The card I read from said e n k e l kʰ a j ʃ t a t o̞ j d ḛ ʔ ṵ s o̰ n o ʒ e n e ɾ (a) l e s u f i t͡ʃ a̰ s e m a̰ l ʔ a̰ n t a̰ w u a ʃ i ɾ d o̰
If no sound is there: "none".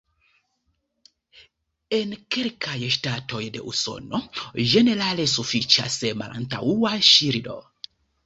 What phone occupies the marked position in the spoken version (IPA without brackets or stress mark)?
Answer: a